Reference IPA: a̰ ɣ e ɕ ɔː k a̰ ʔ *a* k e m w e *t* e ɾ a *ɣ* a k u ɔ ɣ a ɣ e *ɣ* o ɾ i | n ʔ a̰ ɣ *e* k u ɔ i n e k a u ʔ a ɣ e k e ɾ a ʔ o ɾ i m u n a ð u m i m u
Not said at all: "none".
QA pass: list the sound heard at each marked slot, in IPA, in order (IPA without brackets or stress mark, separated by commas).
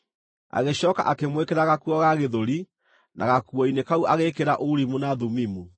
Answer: a, k, ɣ, ð, a